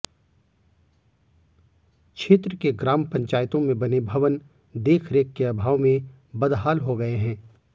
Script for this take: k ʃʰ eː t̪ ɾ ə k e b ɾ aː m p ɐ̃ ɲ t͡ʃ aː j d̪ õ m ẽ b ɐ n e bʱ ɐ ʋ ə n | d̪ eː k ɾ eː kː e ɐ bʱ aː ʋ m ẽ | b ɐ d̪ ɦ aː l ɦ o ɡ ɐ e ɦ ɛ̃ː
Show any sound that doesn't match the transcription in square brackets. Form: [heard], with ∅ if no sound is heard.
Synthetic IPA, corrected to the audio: k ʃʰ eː t̪ ɾ ə k e [ɡ] ɾ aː m p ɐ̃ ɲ t͡ʃ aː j [t̪] õ m ẽ b ɐ n e bʱ ɐ ʋ ə n | d̪ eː [kʰ] ɾ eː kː e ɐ bʱ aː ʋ m ẽ | b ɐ d̪ ɦ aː l ɦ o ɡ ɐ e ɦ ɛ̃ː